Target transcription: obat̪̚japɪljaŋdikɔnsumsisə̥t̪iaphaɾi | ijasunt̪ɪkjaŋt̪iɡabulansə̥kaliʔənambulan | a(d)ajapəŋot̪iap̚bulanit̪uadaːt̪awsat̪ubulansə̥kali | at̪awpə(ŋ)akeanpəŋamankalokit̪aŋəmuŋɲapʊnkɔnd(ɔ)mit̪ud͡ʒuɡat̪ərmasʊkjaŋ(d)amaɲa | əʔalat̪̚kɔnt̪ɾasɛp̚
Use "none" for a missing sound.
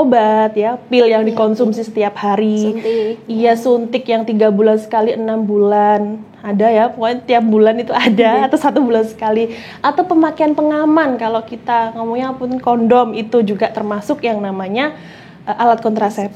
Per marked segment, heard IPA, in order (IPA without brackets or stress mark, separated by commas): d, m, ɔ, n